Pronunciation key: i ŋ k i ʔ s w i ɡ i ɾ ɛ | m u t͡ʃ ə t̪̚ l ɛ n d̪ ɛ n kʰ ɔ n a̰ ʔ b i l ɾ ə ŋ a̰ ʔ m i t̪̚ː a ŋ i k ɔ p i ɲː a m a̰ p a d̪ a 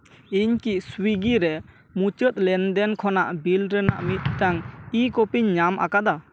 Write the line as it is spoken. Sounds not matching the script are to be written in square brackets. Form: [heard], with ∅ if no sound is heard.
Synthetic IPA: i [ɲ] k i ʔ s w i ɡ i ɾ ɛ | m u t͡ʃ ə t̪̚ l ɛ n d̪ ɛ n kʰ ɔ n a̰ ʔ b i l ɾ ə [n] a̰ ʔ m i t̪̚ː a ŋ i k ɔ p i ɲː a m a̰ [k] a d̪ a